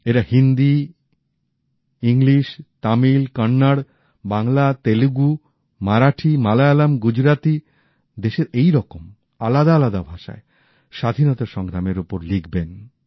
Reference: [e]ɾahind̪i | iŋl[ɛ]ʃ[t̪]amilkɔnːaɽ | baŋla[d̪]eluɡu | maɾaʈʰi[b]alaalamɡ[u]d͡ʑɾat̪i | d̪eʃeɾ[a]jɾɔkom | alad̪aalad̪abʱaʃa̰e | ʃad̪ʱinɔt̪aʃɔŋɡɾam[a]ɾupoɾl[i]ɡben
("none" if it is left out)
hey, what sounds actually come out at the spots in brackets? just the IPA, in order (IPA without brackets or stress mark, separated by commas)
e, i, t̪, t̪, m, u, e, e, i